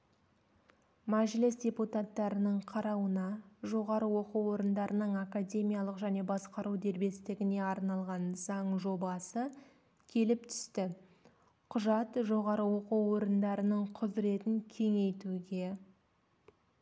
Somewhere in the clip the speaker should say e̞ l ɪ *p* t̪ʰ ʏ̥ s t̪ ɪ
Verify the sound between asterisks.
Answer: correct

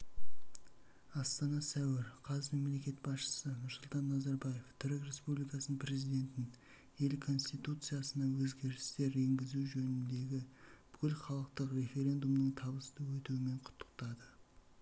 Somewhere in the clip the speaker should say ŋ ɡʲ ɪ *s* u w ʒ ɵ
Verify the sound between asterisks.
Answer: incorrect: z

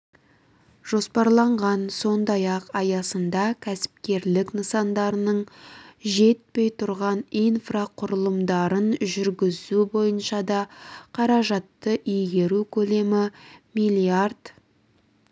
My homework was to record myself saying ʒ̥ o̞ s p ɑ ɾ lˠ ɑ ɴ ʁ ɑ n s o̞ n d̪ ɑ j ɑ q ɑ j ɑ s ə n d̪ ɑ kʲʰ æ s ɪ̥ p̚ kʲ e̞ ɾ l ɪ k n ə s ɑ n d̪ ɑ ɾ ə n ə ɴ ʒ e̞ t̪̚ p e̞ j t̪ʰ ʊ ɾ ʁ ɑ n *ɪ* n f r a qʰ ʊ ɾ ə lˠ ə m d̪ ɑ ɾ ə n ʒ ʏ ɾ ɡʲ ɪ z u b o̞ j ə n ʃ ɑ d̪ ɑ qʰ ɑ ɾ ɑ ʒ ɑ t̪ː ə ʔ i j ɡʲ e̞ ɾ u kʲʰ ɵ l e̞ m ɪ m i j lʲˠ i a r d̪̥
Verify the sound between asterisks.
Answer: incorrect: i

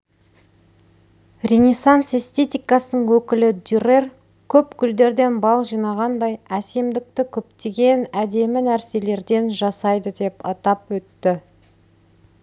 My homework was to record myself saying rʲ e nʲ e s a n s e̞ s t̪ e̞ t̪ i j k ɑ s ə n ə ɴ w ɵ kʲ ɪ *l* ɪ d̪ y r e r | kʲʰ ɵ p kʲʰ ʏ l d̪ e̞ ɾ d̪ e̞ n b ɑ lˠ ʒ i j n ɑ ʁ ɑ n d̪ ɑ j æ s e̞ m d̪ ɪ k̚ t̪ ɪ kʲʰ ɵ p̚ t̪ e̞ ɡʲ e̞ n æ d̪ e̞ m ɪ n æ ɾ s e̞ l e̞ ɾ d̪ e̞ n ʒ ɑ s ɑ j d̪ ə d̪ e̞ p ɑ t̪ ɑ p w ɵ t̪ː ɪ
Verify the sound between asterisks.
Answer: correct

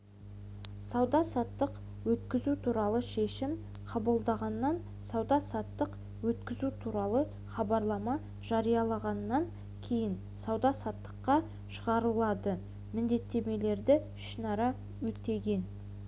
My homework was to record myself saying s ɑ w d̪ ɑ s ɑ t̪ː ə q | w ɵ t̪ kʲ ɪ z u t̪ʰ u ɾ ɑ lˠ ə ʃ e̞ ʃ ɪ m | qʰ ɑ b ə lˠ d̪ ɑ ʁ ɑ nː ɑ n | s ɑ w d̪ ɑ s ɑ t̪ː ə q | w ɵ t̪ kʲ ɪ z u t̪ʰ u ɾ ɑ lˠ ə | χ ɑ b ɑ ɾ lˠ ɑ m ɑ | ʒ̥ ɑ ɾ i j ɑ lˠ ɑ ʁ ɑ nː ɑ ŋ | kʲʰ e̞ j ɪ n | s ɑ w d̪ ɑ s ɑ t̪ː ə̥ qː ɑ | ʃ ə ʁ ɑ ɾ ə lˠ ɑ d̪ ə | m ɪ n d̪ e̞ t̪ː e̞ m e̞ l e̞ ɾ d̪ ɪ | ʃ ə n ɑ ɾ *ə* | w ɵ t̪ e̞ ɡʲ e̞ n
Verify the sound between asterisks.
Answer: incorrect: ɑ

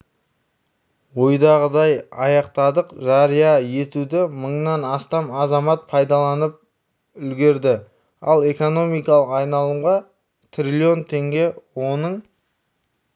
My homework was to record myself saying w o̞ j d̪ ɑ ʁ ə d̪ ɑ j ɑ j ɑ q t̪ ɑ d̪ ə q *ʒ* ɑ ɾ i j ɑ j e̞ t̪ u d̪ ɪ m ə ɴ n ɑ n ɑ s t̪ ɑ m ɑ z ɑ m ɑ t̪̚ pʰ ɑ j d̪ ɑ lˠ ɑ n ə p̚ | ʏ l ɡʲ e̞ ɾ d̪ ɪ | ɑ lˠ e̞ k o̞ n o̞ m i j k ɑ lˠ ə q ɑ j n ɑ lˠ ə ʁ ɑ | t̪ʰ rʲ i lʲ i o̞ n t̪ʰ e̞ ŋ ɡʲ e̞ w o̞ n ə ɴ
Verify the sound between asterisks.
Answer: correct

